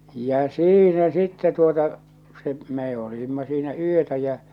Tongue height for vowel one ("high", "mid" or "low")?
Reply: low